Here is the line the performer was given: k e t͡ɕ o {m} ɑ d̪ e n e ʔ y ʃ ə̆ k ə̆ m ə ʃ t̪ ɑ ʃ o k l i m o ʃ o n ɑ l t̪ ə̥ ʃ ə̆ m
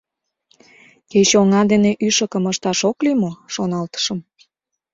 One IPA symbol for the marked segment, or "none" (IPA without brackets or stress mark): ŋ